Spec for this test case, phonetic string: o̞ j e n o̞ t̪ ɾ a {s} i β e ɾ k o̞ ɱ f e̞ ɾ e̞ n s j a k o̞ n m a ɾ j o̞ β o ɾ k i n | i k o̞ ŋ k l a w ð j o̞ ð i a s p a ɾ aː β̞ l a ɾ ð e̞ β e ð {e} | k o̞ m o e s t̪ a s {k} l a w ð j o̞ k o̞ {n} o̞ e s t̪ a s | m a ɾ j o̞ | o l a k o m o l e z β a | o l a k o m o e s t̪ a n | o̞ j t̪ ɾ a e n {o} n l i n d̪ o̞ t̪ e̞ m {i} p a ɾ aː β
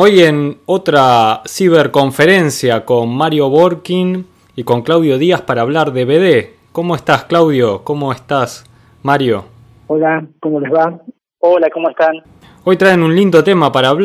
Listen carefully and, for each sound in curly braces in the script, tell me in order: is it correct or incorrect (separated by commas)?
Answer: correct, correct, correct, incorrect, incorrect, incorrect